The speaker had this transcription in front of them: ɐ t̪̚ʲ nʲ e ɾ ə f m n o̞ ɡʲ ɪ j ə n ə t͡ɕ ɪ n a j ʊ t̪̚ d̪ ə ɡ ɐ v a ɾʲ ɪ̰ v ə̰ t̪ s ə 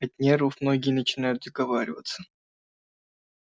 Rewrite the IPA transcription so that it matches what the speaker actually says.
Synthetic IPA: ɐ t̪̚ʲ nʲ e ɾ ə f m n o̞ ɡʲ ɪ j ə n ə t͡ɕ ɪ n a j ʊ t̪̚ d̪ ə ɡ ɐ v a ɾʲ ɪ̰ v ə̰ t̪ s ə